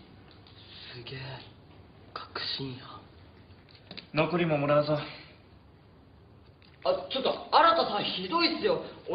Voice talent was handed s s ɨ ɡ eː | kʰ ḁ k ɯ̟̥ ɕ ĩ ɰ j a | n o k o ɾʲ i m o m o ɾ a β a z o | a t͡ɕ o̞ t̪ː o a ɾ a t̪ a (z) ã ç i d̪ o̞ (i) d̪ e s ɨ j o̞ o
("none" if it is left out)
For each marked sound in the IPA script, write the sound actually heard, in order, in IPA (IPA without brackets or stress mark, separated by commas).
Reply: s, i